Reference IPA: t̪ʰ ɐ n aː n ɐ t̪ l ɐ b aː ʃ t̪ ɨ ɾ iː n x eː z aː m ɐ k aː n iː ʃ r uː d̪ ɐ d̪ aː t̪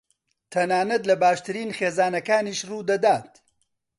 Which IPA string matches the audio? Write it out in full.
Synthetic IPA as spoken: t̪ʰ ɐ n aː n ɐ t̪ l ɐ b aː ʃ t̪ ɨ ɾ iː n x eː z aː n ɐ k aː n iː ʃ r uː d̪ ɐ d̪ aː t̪